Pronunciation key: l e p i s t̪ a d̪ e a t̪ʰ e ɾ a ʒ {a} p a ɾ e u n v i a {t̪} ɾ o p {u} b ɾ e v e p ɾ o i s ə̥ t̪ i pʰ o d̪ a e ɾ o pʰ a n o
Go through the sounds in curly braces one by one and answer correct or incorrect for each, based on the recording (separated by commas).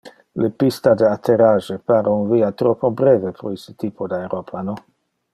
incorrect, correct, incorrect